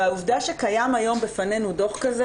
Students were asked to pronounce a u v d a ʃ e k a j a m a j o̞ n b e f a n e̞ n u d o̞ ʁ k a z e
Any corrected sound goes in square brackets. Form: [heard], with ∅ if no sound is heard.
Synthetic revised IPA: a u v d a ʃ e k a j a m a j o̞ [m] b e f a n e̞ n u d o̞ [χ] k a z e